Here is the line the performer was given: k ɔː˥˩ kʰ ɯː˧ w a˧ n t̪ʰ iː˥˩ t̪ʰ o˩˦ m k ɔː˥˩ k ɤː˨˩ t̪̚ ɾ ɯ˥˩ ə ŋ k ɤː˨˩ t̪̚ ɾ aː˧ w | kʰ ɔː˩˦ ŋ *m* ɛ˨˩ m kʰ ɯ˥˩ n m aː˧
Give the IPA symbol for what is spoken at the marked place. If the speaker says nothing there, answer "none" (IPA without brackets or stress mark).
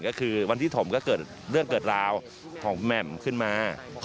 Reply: m